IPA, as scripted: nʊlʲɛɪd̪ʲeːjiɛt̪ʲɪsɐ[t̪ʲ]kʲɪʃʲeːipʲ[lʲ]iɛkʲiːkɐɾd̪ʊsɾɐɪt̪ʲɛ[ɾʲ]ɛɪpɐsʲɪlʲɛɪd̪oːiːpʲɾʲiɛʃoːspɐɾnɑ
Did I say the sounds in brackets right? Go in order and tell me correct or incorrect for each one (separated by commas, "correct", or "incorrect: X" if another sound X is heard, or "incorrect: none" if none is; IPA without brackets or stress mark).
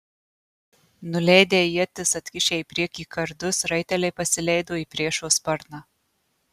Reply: correct, incorrect: ɾʲ, incorrect: lʲ